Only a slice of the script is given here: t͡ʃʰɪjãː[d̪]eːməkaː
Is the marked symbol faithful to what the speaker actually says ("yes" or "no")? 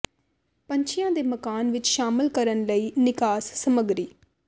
yes